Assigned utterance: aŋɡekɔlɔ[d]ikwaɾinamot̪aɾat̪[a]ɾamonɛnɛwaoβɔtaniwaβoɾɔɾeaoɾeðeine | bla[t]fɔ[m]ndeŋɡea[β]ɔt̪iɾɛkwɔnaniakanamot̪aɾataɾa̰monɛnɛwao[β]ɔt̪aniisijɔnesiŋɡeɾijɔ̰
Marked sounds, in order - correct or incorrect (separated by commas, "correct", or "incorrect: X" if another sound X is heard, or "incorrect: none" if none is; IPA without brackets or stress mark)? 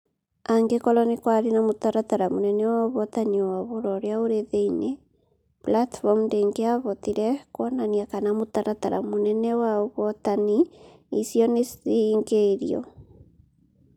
incorrect: n, correct, correct, correct, correct, correct